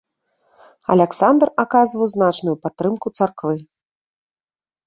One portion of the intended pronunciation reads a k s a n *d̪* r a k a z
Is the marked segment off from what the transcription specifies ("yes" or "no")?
no